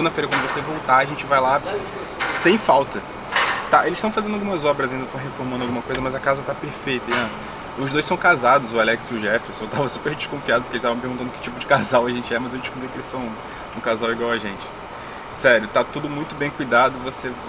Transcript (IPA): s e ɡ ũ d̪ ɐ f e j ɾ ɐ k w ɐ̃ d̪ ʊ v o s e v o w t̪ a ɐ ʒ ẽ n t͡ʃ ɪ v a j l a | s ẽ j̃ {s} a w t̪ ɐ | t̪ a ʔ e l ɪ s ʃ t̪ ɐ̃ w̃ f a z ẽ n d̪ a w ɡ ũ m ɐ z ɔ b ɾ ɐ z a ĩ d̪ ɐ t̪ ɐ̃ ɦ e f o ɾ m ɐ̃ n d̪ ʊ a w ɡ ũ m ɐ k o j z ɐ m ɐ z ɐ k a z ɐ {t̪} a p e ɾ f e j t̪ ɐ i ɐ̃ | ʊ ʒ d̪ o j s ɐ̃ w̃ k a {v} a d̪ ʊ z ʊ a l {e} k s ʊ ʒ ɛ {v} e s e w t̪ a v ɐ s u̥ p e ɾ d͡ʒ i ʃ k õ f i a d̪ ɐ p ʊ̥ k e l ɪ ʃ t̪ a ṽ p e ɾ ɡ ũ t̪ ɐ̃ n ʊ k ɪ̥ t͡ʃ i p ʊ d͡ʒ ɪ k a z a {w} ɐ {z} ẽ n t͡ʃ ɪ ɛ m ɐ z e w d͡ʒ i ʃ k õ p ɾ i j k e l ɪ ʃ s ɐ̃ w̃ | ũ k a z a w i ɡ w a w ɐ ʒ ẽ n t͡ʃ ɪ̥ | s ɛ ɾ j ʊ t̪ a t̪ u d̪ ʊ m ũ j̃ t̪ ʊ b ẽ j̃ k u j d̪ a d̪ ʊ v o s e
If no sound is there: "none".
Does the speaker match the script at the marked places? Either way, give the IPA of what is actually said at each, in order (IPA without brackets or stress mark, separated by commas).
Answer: f, t̪, z, ɛ, f, w, ʒ